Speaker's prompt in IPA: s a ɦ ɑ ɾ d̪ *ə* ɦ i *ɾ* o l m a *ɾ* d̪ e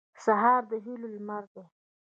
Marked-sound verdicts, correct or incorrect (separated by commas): correct, incorrect, correct